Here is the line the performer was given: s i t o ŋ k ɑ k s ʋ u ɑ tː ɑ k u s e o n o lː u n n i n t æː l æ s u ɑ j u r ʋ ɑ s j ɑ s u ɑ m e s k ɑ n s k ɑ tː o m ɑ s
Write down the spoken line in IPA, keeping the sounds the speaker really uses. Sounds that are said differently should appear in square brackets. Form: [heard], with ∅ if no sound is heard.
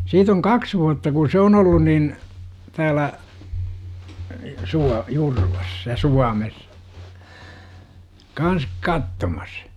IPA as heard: s [iː] t o ŋ k ɑ k s ʋ u ɑ tː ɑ k u s e o n o lː u n n i n t æː l æ s u ɑ j u r ʋ ɑ s j ɑ s u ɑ m e s k ɑ n s k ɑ tː o m ɑ s